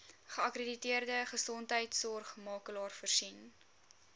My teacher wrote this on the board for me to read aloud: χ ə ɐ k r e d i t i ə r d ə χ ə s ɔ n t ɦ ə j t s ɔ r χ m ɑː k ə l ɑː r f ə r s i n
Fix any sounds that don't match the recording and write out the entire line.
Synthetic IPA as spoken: χ ə ɐ k r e d i t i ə r d ə χ ə s ɔ n t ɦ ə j t s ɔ r χ m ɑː k ə l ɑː r f ə r s i n